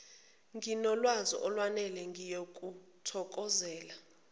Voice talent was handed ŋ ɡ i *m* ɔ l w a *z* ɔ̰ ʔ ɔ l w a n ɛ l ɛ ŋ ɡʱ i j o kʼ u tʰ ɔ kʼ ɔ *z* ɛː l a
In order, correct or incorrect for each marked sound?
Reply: incorrect: n, correct, correct

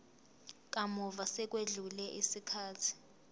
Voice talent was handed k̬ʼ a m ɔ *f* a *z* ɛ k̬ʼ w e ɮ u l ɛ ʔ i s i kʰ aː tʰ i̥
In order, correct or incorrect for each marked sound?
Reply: incorrect: v, incorrect: s

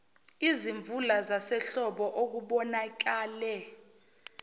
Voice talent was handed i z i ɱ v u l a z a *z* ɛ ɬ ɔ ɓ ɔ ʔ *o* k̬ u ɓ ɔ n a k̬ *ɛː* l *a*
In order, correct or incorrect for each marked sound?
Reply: incorrect: s, correct, incorrect: aː, incorrect: ɛ

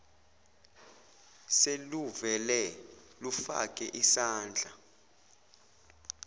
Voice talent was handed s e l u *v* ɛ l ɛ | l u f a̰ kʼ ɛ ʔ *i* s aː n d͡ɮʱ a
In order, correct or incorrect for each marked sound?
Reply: correct, correct

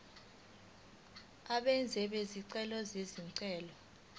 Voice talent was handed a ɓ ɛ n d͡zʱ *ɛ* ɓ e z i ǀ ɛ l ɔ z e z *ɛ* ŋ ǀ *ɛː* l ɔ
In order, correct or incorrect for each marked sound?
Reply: correct, incorrect: i, correct

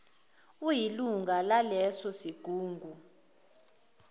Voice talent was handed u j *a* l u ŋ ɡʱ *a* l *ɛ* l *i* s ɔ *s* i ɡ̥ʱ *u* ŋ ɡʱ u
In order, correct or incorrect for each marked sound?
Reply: incorrect: i, correct, incorrect: a, incorrect: ɛ, correct, incorrect: uː

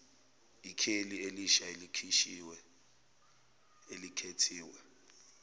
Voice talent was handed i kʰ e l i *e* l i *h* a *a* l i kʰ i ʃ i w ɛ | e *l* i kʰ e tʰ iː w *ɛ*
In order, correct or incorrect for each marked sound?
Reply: correct, incorrect: ʃ, incorrect: e, correct, correct

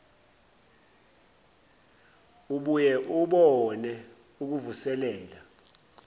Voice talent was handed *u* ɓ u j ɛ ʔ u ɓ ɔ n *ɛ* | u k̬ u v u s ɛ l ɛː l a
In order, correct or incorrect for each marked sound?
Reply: correct, correct

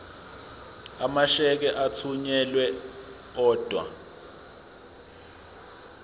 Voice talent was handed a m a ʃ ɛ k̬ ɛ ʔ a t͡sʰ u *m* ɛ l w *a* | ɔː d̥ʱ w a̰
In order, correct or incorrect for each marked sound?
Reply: incorrect: ɲ, incorrect: ɛ

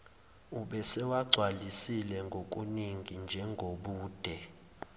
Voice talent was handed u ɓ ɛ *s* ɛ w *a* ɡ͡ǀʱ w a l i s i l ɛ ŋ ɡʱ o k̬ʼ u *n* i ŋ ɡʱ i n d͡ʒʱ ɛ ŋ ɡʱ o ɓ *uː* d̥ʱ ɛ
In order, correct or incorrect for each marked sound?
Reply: correct, correct, correct, correct

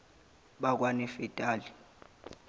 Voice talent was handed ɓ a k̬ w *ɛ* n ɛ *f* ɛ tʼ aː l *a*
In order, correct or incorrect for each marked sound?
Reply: incorrect: a, correct, incorrect: i

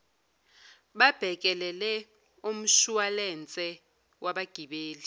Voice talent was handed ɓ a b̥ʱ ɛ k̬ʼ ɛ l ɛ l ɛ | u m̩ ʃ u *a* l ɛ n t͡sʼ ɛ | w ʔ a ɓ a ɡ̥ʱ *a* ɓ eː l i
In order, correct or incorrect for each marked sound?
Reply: correct, incorrect: i

